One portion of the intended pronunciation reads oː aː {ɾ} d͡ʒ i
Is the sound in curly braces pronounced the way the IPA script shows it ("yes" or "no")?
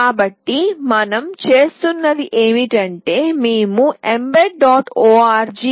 yes